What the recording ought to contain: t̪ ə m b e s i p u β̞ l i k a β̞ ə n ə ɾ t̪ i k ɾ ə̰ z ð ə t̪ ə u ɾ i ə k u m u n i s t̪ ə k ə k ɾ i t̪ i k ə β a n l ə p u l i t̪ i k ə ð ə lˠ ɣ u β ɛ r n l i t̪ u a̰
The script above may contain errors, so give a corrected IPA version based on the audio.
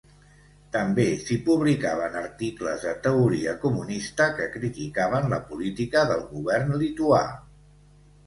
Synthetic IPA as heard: t̪ ə m b e s i p u β̞ l i k a β̞ ə n ə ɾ t̪ i k l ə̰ z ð ə t̪ ə u ɾ i ə k u m u n i s t̪ ə k ə k ɾ i t̪ i k a β ə n l ə p u l i t̪ i k ə ð ə lˠ ɣ u β ɛ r n l i t̪ u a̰